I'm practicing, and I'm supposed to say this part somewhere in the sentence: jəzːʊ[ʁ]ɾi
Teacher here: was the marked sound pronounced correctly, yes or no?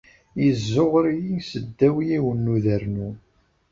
yes